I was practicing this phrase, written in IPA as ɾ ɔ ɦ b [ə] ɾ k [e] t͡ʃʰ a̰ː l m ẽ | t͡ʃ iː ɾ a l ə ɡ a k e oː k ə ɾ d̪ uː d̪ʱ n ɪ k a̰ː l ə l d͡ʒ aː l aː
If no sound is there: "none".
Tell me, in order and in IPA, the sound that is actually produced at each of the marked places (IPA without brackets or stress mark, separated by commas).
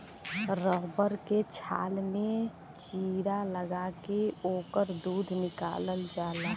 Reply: ə, e